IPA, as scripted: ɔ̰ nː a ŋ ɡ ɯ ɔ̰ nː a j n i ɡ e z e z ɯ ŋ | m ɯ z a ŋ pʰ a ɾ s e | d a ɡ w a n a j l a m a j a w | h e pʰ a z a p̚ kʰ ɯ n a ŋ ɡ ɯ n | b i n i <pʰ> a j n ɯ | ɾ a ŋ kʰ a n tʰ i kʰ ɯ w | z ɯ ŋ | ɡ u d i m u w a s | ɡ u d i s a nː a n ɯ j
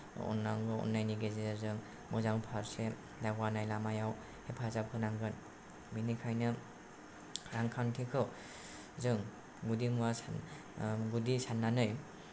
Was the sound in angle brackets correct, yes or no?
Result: no